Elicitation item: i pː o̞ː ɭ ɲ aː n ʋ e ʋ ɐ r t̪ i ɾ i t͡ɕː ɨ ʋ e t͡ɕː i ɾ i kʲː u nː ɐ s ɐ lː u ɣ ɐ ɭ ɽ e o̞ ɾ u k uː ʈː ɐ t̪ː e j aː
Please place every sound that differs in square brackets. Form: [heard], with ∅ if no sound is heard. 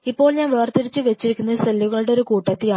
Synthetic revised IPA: i pː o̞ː ɭ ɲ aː n ʋ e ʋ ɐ r t̪ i ɾ i t͡ɕː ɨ ʋ e t͡ɕː i ɾ i kʲː u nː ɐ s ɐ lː u ɣ ɐ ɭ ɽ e o̞ ɾ u k uː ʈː ɐ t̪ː [i] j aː